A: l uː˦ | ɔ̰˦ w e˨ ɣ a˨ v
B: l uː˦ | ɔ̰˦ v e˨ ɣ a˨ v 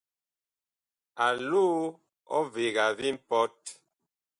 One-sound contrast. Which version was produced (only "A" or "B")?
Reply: B